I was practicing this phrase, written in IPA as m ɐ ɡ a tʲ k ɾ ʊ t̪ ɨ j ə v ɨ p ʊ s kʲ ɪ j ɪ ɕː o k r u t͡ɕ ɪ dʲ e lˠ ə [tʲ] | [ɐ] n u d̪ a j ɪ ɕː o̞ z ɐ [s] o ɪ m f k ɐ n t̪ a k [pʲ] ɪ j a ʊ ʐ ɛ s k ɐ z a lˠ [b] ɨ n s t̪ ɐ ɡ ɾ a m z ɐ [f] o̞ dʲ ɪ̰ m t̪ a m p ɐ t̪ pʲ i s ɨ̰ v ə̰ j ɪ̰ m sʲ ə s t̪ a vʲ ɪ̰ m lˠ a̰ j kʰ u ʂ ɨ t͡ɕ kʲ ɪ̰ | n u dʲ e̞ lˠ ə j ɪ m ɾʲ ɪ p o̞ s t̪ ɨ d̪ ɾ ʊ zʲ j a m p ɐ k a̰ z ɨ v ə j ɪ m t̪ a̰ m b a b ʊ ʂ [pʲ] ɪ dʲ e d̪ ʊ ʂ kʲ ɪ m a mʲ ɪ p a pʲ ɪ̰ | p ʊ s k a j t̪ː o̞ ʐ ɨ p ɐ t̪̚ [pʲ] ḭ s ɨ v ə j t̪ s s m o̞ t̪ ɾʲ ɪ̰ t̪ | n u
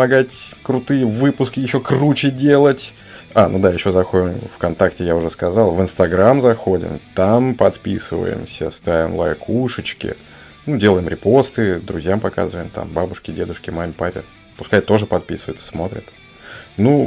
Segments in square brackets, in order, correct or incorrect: correct, incorrect: a, incorrect: x, incorrect: tʲ, incorrect: v, incorrect: x, incorrect: kʲ, correct

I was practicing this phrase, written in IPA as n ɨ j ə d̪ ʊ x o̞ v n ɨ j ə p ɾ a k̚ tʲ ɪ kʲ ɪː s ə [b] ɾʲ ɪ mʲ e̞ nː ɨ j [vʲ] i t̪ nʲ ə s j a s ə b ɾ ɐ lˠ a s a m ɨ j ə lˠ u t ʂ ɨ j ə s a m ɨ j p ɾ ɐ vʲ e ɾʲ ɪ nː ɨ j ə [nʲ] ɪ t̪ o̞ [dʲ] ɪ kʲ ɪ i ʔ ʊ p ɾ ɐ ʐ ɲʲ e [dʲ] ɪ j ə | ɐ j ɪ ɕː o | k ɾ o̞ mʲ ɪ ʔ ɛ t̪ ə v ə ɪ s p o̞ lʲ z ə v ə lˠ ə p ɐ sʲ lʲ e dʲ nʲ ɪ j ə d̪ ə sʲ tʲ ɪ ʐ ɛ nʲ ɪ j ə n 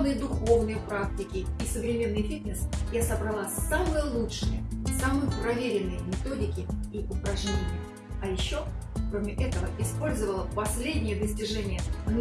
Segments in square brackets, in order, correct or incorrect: incorrect: v, incorrect: fʲ, incorrect: mʲ, correct, incorrect: nʲ

